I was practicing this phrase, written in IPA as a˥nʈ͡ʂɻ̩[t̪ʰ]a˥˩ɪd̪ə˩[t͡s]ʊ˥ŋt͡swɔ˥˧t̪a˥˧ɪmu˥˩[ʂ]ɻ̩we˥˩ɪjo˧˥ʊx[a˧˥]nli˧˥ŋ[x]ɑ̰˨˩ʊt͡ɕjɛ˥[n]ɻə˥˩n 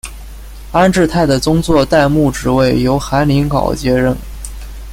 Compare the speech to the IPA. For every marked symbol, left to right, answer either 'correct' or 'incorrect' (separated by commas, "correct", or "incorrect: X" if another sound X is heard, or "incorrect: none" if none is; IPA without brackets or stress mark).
correct, correct, incorrect: ʈ͡ʂ, correct, incorrect: k, incorrect: none